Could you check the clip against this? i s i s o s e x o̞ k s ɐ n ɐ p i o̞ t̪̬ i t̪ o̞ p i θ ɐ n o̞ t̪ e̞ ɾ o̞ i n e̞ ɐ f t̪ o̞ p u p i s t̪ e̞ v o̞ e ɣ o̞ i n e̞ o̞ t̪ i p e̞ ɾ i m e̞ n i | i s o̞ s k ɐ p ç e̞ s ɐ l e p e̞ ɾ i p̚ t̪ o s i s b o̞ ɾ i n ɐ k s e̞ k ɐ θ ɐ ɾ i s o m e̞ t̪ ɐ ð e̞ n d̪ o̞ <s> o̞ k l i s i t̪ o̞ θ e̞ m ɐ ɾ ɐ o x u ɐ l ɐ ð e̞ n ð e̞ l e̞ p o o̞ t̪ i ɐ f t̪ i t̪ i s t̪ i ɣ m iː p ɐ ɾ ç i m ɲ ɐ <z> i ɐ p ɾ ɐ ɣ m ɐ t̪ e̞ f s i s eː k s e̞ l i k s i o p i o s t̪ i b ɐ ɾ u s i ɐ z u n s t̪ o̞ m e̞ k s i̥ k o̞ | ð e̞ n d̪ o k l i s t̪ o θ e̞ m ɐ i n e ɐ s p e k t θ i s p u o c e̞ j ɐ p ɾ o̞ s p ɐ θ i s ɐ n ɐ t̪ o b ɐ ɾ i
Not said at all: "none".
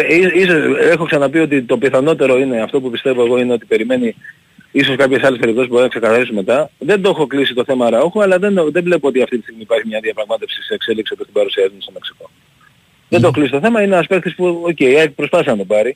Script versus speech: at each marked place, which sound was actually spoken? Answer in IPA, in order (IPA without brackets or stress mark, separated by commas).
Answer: x, ð